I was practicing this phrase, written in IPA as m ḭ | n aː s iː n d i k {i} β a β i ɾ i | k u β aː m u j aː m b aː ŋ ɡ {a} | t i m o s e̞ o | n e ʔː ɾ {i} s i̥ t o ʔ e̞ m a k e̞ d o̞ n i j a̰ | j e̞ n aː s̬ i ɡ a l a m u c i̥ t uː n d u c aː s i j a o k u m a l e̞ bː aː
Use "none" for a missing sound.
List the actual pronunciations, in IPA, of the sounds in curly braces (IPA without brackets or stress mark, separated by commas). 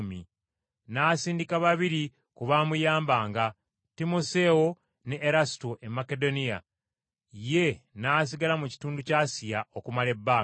a, a, a